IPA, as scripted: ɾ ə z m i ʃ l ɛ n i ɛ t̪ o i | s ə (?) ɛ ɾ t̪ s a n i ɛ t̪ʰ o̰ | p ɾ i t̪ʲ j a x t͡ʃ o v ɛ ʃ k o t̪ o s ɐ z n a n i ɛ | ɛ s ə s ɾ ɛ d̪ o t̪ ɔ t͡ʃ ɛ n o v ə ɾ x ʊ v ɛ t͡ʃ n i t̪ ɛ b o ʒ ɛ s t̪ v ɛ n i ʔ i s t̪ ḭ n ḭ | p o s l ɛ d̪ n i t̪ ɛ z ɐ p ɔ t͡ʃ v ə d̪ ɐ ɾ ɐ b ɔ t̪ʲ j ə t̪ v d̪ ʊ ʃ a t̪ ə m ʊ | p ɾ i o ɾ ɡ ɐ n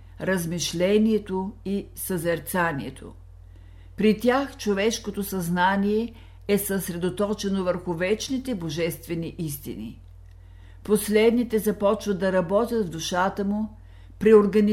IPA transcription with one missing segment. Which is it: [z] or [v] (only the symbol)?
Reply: z